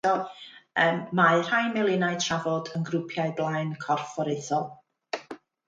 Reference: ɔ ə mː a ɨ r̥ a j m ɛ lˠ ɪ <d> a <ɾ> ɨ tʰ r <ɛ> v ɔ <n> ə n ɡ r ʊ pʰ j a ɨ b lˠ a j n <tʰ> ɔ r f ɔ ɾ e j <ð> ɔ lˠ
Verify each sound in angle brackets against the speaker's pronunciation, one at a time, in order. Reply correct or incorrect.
incorrect: n, incorrect: none, incorrect: a, incorrect: d, incorrect: kʰ, incorrect: θ

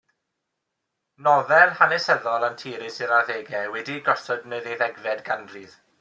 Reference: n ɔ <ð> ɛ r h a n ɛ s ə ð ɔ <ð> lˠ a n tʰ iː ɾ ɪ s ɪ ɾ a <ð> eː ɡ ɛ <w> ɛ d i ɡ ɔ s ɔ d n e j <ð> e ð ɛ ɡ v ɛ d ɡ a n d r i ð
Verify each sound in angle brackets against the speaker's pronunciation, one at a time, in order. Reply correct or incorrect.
correct, incorrect: none, correct, correct, correct

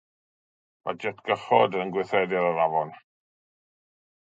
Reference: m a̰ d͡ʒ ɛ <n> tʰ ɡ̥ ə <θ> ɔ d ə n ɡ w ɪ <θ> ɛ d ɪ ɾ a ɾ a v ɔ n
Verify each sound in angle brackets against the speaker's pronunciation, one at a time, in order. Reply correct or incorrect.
incorrect: none, incorrect: χ, correct

